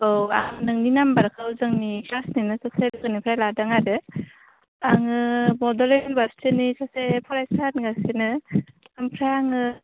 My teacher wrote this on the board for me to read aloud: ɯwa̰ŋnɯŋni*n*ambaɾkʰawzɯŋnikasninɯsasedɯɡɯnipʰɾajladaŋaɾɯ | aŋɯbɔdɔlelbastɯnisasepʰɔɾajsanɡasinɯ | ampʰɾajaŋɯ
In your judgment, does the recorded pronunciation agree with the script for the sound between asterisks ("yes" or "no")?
yes